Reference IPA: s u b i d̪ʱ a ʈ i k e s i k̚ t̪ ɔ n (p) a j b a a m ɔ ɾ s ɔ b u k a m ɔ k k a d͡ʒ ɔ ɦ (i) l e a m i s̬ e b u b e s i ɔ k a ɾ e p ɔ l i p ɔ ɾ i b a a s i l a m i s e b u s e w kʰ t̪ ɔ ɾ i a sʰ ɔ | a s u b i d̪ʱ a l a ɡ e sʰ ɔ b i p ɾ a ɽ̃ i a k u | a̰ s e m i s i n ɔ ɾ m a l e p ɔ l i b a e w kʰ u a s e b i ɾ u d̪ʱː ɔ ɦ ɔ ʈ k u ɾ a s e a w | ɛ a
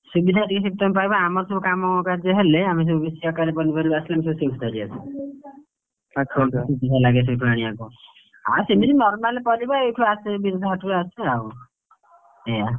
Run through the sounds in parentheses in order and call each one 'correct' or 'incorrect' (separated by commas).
correct, incorrect